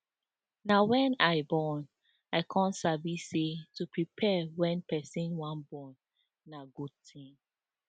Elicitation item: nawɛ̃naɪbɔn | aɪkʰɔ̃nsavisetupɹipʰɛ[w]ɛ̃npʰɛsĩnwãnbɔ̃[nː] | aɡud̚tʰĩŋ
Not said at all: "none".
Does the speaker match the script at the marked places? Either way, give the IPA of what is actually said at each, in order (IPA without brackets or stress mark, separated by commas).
w, nː